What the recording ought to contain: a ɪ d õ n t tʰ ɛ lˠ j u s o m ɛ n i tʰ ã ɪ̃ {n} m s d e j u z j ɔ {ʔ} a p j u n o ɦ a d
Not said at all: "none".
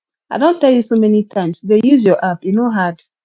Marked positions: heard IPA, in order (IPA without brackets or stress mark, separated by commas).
none, ʔ